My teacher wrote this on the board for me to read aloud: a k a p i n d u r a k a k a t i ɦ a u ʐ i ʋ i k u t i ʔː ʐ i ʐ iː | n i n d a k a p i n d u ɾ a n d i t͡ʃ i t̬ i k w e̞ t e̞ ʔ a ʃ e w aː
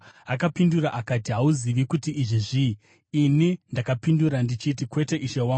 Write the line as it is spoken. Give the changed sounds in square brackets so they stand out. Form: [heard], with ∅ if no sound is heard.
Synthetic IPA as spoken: a k a p i n d u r a [ʔ] a k a t i ɦ a u [z] i ʋ i k u t i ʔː ʐ i ʐ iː | n i n d a k a p i n d u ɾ a n d i t͡ʃ i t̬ i k w e̞ t e̞ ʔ [i] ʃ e w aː